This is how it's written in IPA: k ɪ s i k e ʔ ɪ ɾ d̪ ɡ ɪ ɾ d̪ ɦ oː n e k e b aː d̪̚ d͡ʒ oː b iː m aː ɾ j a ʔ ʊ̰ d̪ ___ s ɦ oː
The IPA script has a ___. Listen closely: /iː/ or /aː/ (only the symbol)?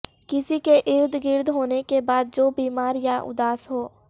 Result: aː